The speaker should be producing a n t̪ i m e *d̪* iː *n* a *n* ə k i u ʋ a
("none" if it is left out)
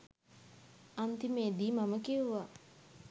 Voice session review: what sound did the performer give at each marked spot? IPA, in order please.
d̪, m, m

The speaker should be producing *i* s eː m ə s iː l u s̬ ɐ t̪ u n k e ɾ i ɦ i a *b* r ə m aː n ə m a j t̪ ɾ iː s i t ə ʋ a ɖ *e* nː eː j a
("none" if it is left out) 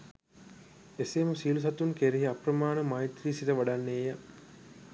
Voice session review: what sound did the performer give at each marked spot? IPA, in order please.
e, p, a

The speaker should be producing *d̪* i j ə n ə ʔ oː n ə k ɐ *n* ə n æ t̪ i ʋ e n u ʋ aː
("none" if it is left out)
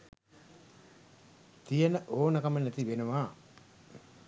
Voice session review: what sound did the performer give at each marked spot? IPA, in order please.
t̪, m

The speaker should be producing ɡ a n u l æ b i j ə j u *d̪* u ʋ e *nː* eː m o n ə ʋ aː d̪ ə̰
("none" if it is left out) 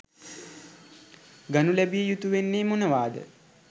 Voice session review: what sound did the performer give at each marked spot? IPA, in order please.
t̪, nː

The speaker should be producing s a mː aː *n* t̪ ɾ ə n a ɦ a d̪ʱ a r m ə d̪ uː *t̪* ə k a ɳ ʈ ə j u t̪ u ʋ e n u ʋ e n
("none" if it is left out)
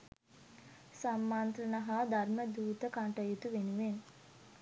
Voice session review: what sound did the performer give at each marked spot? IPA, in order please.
n, t̪

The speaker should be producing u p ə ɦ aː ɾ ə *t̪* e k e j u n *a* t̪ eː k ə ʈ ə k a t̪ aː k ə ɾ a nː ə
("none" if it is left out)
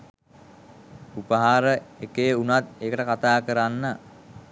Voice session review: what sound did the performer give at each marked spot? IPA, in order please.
none, a

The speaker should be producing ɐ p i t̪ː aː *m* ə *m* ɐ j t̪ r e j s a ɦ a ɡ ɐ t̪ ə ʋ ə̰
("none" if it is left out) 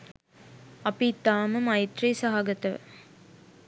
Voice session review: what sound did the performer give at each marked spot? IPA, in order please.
m, m

